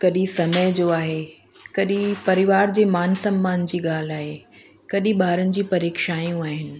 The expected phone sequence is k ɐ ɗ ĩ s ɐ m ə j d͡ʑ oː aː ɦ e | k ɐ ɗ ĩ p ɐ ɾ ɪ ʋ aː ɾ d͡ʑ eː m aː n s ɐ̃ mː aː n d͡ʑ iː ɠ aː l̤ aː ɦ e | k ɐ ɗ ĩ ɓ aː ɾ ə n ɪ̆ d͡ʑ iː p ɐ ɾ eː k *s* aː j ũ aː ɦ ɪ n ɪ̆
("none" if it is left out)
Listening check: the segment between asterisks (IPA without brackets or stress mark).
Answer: ʃ